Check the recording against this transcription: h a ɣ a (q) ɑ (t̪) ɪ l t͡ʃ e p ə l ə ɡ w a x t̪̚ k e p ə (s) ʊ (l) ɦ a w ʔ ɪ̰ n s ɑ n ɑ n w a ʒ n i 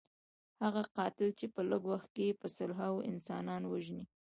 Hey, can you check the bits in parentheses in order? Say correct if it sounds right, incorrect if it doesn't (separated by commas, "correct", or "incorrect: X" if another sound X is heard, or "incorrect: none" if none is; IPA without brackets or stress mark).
correct, correct, correct, correct